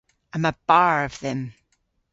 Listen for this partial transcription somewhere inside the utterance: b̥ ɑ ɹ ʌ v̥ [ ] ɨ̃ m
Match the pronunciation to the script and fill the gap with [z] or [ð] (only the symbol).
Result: ð